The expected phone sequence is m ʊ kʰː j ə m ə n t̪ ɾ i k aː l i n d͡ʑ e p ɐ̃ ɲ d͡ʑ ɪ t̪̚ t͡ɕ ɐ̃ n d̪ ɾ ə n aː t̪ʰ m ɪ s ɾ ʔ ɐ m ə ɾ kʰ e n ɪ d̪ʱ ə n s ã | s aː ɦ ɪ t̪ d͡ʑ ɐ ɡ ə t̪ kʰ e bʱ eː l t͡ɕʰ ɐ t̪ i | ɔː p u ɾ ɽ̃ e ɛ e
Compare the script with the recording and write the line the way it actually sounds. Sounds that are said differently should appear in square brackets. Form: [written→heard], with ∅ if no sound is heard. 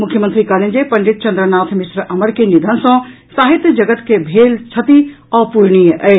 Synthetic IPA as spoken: m ʊ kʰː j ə m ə n t̪ ɾ i k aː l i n d͡ʑ e p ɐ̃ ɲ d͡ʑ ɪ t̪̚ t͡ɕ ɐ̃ n d̪ ɾ ə n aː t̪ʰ m ɪ s ɾ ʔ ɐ m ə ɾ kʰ e n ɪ d̪ʱ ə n s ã | s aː ɦ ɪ t̪ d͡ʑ ɐ ɡ ə t̪ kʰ e bʱ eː l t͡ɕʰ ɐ t̪ i | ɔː p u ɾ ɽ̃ [e→i] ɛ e